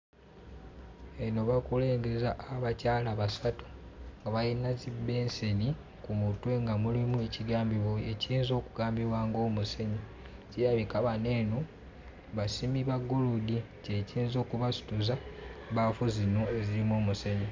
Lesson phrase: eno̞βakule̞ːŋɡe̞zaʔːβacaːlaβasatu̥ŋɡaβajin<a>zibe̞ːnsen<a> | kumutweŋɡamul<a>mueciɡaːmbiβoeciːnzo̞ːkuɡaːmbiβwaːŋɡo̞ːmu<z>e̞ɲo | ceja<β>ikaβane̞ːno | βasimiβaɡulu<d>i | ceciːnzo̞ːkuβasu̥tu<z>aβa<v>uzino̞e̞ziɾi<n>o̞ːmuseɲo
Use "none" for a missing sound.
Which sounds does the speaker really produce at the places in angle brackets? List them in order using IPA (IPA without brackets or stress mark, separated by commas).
a, i, i, s, β, d, z, f, m